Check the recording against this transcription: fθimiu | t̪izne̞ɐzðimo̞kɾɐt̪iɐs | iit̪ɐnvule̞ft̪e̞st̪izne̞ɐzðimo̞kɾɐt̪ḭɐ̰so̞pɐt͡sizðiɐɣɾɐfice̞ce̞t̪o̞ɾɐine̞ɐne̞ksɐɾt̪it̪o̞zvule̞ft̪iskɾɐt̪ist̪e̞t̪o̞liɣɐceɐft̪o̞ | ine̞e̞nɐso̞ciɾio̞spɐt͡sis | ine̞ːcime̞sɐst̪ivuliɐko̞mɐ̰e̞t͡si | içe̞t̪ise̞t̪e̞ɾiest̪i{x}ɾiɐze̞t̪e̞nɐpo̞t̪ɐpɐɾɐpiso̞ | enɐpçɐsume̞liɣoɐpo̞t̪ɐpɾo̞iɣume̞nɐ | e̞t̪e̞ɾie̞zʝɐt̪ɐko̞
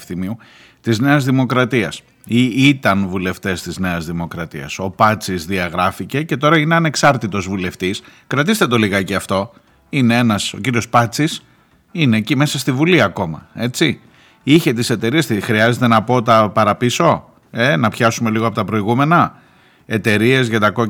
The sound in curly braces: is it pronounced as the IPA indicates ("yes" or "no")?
yes